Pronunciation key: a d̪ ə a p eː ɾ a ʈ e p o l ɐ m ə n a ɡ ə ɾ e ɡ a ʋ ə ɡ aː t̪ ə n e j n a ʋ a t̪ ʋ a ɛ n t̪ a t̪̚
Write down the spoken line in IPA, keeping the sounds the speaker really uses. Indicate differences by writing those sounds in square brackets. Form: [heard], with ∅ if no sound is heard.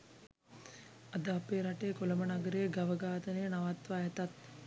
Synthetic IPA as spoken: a d̪ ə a p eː ɾ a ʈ e [k] o l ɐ m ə n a ɡ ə ɾ e ɡ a ʋ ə ɡ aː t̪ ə n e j n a ʋ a t̪ ʋ a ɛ [∅] t̪ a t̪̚